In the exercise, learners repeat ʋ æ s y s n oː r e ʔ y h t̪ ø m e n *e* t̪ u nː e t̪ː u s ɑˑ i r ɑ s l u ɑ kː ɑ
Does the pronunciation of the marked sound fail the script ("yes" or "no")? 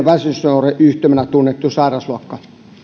yes